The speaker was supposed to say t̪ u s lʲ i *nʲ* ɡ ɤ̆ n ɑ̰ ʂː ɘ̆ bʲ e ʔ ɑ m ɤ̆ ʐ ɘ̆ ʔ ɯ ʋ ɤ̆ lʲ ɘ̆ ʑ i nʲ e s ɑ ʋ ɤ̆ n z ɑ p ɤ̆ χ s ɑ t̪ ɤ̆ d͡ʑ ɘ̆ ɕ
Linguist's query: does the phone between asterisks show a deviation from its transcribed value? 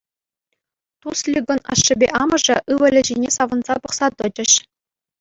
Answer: yes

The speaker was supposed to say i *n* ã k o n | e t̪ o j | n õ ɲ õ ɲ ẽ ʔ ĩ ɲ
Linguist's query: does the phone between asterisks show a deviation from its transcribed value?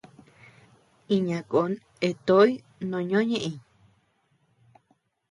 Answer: yes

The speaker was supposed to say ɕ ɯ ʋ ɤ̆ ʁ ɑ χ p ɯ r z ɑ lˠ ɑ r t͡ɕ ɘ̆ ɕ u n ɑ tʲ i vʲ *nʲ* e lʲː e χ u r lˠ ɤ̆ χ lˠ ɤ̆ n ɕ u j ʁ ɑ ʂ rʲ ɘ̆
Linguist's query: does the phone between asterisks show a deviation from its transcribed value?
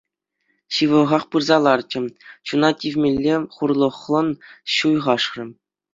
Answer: yes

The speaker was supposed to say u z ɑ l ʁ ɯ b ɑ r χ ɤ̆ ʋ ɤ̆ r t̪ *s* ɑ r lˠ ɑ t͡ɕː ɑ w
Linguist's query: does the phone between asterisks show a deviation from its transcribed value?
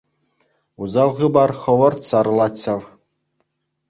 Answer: no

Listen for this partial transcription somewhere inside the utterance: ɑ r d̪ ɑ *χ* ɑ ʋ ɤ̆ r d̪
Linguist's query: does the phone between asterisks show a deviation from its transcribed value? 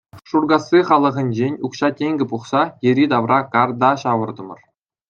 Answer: yes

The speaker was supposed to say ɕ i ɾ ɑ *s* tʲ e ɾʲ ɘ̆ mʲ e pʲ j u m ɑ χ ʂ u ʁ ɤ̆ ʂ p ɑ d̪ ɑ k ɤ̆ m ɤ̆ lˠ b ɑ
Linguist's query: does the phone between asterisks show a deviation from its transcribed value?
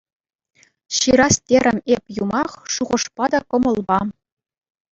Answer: no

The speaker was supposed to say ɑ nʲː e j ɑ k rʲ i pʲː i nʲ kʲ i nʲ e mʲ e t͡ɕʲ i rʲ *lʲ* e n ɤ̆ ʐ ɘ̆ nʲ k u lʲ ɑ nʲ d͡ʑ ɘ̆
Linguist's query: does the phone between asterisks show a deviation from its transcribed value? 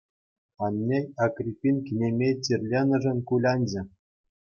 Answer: no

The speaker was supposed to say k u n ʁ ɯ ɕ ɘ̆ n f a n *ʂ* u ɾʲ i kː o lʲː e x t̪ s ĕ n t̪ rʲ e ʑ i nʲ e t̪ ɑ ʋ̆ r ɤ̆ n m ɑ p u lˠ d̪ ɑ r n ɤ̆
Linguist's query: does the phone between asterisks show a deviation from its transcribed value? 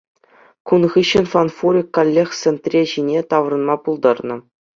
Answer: yes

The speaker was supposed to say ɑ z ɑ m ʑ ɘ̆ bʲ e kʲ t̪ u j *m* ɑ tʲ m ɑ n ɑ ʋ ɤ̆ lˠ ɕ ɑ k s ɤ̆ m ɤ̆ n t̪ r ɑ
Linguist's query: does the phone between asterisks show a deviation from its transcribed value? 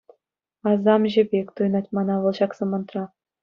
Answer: yes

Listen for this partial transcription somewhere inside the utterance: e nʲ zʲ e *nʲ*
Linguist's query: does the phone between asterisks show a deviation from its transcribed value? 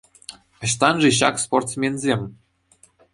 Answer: yes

